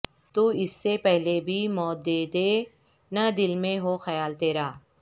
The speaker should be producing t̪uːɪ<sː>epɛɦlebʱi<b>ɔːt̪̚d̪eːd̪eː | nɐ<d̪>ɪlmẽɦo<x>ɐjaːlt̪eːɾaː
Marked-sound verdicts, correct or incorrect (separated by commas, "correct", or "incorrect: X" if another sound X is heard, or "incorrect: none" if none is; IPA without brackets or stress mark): correct, incorrect: m, correct, correct